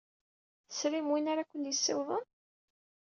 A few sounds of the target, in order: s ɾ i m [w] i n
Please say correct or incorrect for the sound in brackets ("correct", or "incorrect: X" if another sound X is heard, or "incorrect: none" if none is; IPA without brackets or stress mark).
correct